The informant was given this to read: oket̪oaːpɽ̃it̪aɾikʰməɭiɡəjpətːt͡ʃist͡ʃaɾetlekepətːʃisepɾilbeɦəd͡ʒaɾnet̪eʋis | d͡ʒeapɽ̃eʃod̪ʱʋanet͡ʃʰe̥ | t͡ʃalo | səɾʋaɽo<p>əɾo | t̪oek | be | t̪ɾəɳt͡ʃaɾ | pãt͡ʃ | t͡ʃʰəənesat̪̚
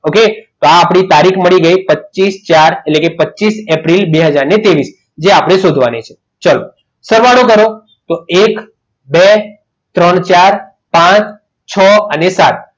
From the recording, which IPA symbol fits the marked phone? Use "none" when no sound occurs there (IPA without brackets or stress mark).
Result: k